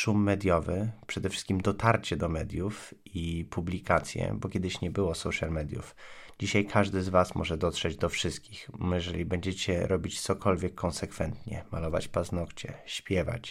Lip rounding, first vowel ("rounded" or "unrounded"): rounded